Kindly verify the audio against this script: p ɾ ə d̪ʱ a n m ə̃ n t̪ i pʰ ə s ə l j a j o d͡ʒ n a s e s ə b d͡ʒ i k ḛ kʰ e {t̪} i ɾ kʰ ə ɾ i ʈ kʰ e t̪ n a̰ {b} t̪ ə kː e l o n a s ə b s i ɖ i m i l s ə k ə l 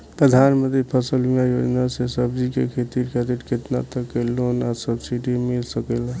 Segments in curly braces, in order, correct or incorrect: correct, incorrect: none

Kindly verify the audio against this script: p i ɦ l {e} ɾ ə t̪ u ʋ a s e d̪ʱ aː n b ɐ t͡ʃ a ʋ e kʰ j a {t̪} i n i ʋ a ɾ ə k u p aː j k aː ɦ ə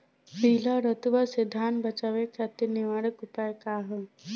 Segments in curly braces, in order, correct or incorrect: incorrect: a, correct

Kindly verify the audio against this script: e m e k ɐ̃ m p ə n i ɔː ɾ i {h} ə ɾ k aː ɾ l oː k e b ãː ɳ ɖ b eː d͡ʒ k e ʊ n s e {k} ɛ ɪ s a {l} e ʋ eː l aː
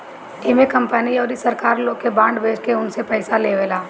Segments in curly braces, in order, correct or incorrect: incorrect: s, incorrect: p, correct

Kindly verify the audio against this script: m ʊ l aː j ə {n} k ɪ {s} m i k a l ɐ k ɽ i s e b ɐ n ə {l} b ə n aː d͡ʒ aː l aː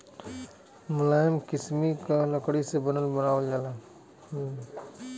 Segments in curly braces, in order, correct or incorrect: incorrect: m, correct, correct

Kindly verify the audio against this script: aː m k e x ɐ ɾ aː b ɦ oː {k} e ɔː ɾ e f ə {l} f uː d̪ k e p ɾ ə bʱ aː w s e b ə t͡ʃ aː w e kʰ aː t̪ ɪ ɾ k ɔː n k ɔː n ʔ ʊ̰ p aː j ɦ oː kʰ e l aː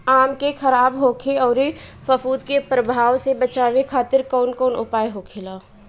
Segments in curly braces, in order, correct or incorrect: incorrect: kʰ, incorrect: none

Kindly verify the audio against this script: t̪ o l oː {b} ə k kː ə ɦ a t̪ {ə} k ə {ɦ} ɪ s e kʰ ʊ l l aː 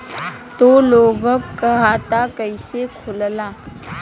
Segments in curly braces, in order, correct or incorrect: incorrect: ɡ, incorrect: a, incorrect: none

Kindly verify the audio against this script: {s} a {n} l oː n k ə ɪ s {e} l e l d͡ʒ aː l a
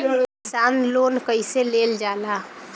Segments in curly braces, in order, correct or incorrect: correct, correct, correct

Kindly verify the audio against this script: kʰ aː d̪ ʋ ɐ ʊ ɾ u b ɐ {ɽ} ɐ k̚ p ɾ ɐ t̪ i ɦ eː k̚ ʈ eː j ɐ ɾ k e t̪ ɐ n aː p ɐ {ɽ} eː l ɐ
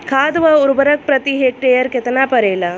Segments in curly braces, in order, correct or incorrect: incorrect: ɾ, incorrect: ɾ

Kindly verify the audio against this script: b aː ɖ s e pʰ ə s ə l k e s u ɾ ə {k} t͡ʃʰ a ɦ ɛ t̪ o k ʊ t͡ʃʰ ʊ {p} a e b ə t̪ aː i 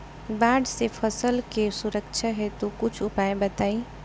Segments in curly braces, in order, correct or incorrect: correct, correct

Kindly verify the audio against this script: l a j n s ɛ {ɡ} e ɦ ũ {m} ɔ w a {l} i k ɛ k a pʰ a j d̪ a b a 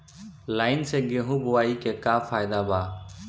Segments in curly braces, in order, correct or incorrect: correct, incorrect: b, incorrect: none

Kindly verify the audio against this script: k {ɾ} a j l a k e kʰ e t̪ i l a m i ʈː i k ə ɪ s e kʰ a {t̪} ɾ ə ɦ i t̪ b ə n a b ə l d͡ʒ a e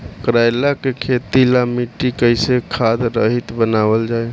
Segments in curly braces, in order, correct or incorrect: correct, incorrect: d̪

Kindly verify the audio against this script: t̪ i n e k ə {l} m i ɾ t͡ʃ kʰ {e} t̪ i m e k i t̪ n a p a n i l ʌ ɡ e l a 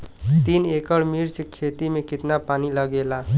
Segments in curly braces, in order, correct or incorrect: incorrect: ɽ, correct

